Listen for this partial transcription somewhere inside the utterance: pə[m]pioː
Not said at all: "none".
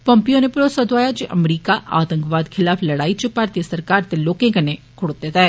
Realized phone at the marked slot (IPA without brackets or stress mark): m